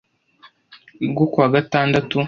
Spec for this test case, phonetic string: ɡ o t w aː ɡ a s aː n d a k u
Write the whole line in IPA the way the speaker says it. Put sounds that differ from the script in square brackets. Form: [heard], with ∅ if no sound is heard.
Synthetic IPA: ɡ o [k] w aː ɡ a [t] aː n d a [t] u